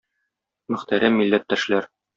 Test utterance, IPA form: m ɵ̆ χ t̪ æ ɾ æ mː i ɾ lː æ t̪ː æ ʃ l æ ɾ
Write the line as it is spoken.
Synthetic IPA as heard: m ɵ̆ χ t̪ æ ɾ æ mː i lː æ t̪ː æ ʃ l æ ɾ